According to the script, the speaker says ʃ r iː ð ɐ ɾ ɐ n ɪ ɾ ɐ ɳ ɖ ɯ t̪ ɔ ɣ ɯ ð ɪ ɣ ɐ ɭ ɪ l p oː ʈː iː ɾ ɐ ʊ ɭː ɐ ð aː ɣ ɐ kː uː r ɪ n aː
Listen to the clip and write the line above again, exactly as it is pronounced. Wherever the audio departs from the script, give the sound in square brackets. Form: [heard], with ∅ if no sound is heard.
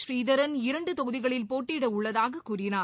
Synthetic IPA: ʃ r iː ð ɐ ɾ ɐ n ɪ ɾ ɐ ɳ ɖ ɯ t̪ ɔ ɣ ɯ ð ɪ ɣ ɐ ɭ ɪ l p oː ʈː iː [ɽ] ɐ ʊ ɭː ɐ ð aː ɣ ɐ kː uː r ɪ n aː